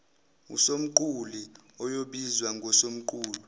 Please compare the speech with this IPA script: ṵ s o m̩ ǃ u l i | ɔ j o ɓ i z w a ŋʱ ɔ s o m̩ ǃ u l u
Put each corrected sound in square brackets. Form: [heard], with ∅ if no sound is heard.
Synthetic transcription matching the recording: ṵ s o m̩ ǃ u l i | ɔ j o ɓ i z w a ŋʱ ɔ s o m̩ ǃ [uː] l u